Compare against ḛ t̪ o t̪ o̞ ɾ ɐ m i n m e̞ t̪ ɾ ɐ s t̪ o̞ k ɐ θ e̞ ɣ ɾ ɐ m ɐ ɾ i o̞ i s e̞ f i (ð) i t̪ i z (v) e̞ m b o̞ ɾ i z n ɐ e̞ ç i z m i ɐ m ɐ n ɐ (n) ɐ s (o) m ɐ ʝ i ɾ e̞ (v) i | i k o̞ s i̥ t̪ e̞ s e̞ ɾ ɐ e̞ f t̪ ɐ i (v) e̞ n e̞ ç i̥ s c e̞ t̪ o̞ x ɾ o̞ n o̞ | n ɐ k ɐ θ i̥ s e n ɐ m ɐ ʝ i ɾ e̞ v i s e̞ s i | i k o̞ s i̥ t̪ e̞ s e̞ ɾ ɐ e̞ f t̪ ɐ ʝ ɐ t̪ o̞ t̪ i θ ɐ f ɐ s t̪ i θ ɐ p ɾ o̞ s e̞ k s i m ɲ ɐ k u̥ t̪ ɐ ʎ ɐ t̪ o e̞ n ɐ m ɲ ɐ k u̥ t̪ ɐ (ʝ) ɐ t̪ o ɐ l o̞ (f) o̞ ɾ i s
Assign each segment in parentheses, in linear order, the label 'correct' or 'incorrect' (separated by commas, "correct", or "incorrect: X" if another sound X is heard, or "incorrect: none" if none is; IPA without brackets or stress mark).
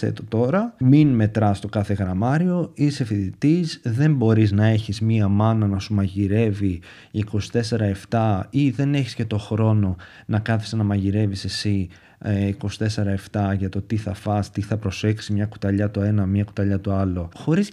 correct, incorrect: ð, correct, incorrect: u, correct, incorrect: ð, incorrect: ʎ, incorrect: x